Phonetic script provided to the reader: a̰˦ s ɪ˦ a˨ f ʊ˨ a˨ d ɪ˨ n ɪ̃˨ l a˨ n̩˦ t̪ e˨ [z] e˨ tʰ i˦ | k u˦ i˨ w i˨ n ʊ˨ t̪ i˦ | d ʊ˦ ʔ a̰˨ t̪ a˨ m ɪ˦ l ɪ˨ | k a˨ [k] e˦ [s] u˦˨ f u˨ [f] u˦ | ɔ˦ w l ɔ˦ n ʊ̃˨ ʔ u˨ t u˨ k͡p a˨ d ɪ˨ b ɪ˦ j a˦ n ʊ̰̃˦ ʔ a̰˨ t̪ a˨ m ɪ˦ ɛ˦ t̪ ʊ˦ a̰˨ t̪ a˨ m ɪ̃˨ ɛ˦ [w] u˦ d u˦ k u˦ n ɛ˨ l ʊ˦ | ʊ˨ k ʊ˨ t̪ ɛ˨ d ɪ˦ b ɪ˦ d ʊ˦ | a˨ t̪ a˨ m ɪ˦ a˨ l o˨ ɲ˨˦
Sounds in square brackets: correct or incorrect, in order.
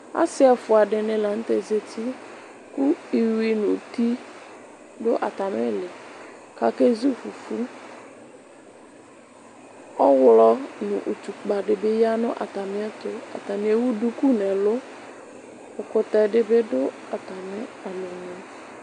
correct, correct, incorrect: z, correct, correct

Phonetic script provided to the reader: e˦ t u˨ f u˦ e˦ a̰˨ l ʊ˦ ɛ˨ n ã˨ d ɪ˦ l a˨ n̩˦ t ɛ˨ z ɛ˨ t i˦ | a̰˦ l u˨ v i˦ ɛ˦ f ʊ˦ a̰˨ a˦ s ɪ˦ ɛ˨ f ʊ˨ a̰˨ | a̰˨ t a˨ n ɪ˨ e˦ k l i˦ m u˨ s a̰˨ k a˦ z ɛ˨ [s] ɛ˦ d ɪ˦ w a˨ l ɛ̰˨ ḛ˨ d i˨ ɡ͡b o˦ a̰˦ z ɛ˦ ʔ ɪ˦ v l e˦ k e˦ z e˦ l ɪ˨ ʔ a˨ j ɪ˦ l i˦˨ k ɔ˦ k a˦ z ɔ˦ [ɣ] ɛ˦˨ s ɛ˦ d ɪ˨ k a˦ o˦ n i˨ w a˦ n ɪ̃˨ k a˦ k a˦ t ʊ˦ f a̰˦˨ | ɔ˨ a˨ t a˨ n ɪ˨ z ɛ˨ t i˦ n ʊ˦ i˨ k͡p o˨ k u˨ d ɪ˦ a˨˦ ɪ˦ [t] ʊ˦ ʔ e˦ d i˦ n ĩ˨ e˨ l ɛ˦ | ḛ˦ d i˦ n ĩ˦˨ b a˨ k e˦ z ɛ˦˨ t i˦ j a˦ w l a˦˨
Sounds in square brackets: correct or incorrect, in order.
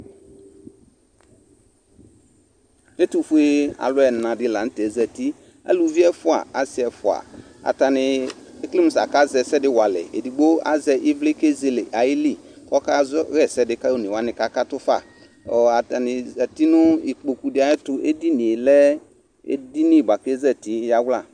correct, correct, correct

